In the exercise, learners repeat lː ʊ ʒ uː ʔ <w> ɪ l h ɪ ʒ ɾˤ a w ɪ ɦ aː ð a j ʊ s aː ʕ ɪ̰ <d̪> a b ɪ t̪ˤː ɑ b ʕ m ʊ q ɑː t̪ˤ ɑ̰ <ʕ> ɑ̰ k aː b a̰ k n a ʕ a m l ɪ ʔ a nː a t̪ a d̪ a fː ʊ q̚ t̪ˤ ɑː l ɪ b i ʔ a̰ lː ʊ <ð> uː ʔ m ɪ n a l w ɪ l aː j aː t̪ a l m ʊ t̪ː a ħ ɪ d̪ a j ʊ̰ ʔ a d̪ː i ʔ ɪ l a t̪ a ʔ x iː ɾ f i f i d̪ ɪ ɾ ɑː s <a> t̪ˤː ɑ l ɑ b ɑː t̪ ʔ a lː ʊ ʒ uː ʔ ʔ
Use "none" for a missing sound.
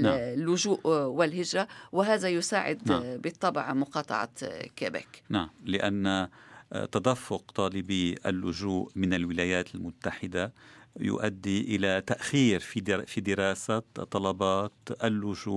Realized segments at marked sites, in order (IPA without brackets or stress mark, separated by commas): w, d̪, ʕ, ʒ, a